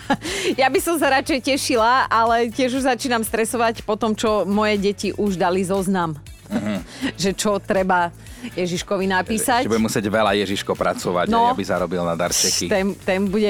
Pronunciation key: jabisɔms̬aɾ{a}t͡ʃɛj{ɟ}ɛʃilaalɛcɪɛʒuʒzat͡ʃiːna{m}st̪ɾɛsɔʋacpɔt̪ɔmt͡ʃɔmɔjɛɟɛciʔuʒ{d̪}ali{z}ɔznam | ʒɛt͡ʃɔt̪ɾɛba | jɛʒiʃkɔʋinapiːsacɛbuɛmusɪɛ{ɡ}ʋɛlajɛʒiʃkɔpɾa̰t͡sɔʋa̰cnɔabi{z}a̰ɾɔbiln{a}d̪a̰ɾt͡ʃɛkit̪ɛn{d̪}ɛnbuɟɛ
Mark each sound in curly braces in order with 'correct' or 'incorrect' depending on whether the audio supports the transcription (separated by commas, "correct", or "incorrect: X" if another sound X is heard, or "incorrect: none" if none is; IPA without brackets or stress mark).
correct, incorrect: c, correct, correct, correct, incorrect: ɟ, correct, correct, incorrect: t̪